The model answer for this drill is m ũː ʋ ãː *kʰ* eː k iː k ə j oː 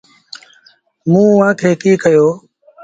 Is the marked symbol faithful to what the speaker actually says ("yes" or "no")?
yes